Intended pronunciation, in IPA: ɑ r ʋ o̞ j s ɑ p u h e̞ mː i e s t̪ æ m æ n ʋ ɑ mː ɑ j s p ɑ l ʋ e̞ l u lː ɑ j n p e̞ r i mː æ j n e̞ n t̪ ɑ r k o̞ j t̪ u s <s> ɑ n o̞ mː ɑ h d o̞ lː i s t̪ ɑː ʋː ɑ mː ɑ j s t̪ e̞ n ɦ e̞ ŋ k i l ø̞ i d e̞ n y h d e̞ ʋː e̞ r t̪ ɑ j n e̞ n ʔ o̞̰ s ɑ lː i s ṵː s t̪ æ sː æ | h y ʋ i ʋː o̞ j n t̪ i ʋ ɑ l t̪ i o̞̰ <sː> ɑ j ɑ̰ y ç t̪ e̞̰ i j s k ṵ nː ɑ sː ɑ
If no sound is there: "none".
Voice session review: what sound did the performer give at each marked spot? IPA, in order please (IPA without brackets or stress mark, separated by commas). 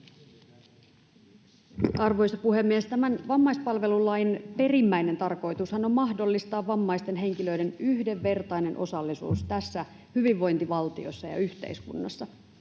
h, sː